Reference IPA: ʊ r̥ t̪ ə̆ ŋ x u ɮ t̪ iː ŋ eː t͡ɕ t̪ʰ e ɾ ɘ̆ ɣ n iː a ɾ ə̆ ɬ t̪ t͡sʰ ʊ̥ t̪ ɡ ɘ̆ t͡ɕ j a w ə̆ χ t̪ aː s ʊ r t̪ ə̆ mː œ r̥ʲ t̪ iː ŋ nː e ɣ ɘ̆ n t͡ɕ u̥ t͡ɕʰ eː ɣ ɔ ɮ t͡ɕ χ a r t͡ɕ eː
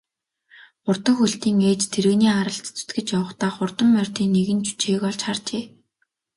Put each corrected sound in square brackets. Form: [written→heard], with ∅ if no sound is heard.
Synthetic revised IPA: ʊ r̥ t̪ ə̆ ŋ x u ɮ t̪ iː ŋ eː t͡ɕ t̪ʰ e ɾ ɘ̆ ɣ n iː a ɾ ə̆ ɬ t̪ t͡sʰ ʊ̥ t̪ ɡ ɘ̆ t͡ɕ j a w ə̆ χ t̪ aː [s→χ] ʊ r t̪ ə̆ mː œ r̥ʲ t̪ iː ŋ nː e ɣ ɘ̆ n t͡ɕ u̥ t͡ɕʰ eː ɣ ɔ ɮ t͡ɕ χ a r t͡ɕ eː